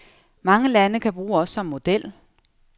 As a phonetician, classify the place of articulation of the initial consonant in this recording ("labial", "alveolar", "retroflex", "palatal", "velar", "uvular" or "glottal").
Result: labial